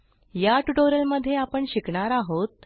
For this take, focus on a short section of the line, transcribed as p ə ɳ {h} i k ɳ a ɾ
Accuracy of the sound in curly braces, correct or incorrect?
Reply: incorrect